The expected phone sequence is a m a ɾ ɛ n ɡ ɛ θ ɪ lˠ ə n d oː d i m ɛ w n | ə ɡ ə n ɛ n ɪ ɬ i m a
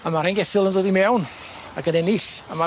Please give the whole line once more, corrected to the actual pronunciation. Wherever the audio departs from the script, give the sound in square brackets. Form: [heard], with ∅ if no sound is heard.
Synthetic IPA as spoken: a m a ɾ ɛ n ɡ ɛ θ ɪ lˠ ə n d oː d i m ɛ w n | [a] ɡ ə n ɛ n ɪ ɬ [a] m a